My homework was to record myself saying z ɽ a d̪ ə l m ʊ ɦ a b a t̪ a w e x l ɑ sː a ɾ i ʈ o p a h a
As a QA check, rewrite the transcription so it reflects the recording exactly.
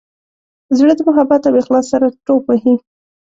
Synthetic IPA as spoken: z ɽ ə d̪ ə m ʊ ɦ a b a t̪ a w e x l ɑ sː a ɾ a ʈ o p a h i

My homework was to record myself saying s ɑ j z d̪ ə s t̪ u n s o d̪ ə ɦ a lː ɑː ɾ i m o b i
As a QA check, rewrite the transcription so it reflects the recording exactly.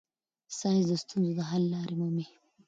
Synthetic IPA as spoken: s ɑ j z d̪ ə s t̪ u n z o d̪ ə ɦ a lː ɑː ɾ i m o m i

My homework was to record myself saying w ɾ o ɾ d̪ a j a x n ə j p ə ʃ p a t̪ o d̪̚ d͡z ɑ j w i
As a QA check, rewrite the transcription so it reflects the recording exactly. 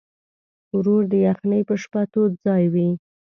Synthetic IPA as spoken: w ɾ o ɾ d̪ ə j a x n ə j p ə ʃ p a t̪ o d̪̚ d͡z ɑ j w i

